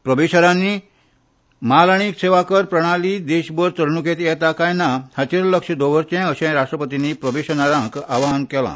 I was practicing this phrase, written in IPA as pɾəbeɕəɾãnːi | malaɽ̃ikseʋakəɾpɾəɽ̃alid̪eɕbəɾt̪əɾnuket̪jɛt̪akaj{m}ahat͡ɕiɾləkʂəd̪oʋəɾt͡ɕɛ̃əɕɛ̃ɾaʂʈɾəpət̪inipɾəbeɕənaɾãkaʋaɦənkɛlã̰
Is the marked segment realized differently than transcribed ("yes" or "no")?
yes